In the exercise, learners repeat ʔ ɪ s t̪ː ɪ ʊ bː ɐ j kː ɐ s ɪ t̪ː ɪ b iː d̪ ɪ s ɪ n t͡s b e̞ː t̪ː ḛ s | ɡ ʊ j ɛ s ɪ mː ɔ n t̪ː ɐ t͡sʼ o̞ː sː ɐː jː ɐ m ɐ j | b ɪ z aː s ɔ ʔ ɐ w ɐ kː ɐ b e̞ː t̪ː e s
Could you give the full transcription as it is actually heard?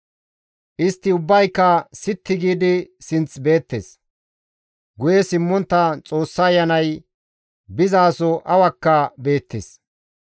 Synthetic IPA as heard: ʔ ɪ s t̪ː ɪ ʊ bː ɐ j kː ɐ s ɪ t̪ː ɪ ɡ iː d̪ ɪ s ɪ n t͡s b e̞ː t̪ː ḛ s | ɡ ʊ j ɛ s ɪ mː ɔ n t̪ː ɐ t͡sʼ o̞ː sː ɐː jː ɐ n ɐ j | b ɪ z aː s ɔ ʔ ɐ w ɐ kː ɐ b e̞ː t̪ː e s